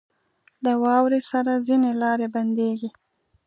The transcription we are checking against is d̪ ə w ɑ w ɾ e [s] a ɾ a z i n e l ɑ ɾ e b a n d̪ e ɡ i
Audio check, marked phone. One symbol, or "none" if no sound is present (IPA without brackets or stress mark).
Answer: s